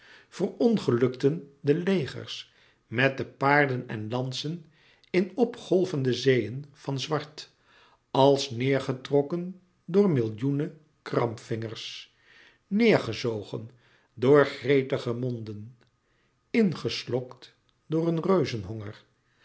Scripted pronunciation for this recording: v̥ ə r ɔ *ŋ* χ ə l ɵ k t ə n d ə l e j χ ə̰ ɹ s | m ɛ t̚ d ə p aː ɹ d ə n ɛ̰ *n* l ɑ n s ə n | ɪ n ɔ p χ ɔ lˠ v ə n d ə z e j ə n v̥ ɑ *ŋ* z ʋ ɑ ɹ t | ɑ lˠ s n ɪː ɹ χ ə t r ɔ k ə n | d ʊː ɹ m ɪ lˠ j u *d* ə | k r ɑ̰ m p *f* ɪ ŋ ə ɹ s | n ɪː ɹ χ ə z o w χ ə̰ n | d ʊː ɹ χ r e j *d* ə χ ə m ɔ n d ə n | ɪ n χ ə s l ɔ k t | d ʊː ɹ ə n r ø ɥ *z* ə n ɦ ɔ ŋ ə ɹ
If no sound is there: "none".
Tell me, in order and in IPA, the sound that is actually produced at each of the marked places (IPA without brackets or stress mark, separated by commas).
n, n, n, n, f, t, z